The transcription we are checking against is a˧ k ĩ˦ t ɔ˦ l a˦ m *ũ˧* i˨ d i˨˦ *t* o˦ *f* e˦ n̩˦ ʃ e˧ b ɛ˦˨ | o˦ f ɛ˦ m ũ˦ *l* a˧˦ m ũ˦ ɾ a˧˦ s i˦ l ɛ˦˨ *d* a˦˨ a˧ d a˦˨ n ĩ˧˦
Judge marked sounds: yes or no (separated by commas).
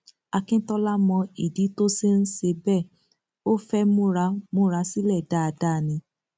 no, yes, no, no, yes